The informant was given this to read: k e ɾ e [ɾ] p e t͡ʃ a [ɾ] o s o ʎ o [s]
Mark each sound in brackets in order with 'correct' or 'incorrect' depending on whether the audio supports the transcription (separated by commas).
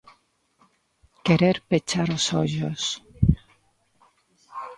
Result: correct, correct, correct